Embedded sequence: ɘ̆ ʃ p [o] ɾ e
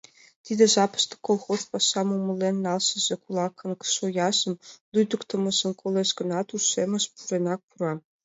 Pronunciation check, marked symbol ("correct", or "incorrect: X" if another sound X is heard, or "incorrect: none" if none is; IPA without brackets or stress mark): incorrect: u